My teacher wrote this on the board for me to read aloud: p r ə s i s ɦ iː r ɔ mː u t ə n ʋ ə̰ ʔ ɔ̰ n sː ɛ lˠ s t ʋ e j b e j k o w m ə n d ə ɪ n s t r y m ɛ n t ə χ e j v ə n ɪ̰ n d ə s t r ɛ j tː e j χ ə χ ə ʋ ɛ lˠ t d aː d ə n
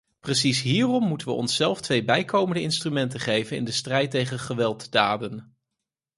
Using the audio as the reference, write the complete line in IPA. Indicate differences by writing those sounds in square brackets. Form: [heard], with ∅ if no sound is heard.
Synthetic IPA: p r ə s i s ɦ iː r ɔ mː u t ə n ʋ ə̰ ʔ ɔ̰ n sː ɛ lˠ [f] t ʋ e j b [ɛ] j k o w m ə n d ə ɪ n s t r y m ɛ n t ə χ e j v ə n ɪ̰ n d ə s t r ɛ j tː e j χ ə χ ə ʋ ɛ lˠ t d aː d ə n